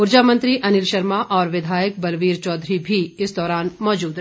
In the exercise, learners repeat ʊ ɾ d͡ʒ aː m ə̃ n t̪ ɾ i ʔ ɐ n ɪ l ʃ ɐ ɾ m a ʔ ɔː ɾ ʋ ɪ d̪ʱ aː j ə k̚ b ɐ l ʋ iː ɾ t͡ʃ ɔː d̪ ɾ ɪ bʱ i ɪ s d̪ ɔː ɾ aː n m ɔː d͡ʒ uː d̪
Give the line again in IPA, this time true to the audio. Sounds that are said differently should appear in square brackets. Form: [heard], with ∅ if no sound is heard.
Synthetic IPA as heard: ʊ ɾ d͡ʒ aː m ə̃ n t̪ ɾ i ʔ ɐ n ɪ l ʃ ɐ ɾ m a ʔ ɔː ɾ ʋ ɪ d̪ʱ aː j ə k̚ b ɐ l ʋ iː ɾ t͡ʃ ɔː d̪ ɾ [i] bʱ i ɪ s d̪ ɔː ɾ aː n m ɔː d͡ʒ uː d̪